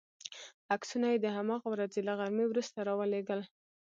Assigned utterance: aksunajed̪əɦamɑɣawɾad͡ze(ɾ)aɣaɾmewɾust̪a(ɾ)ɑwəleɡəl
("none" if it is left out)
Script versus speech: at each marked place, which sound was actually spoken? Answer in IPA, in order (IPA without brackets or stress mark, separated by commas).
l, ɾ